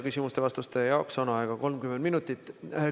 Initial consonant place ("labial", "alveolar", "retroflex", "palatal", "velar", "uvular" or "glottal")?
velar